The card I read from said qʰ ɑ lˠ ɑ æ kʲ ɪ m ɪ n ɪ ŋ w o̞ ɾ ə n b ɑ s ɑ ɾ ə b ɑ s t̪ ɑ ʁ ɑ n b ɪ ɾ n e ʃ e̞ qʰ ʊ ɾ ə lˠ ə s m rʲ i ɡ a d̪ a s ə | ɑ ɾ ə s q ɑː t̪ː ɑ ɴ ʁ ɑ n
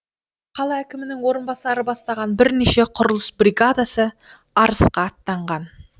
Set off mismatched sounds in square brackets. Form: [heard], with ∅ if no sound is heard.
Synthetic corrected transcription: qʰ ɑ lˠ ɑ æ kʲ ɪ m ɪ n ɪ ŋ w o̞ ɾ ə n b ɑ s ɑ ɾ ə b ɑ s t̪ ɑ ʁ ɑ n b ɪ ɾ n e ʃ e̞ qʰ ʊ ɾ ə lˠ ə s [b] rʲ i ɡ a d̪ a s ə | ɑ ɾ ə s q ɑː t̪ː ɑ ɴ ʁ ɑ n